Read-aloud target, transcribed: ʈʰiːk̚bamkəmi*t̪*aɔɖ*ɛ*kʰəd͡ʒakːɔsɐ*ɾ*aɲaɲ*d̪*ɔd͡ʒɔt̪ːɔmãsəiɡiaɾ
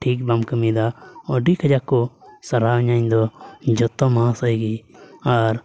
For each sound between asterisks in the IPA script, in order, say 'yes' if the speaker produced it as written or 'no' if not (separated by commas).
no, no, yes, yes